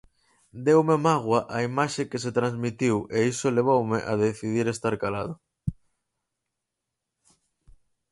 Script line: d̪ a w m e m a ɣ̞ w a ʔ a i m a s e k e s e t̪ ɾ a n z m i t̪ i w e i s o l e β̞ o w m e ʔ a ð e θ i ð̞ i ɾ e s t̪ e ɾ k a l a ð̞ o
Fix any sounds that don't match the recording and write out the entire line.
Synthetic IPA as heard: d̪ e w m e m a ɣ̞ w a ʔ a i m a ʃ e k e s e t̪ ɾ a n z m i t̪ i w e i s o l e β̞ o w m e ʔ a ð e θ i ð̞ i ɾ e s t̪ a ɾ k a l a ð̞ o